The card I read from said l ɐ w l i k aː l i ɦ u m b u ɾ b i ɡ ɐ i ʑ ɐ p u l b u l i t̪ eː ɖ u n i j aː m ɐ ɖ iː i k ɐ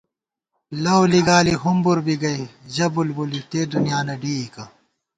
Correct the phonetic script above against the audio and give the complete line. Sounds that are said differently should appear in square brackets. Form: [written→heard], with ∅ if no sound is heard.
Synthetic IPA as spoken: l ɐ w l i [k→ɡ] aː l i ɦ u m b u ɾ b i ɡ ɐ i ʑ ɐ [p→b] u l b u l i t̪ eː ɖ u n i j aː [m→n] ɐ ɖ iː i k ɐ